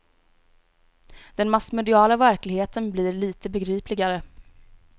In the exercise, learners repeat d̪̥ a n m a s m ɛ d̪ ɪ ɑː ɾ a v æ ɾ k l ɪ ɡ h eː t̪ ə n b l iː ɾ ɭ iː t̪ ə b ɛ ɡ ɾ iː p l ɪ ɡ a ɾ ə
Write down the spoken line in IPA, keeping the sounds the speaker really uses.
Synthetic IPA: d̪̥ ɛ n m a s m ɛ d̪ ɪ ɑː l a v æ ɾ k l ɪ ɡ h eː t̪ ə n b l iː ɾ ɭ iː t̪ ə b ɛ ɡ ɾ iː p l ɪ ɡ a ɾ ə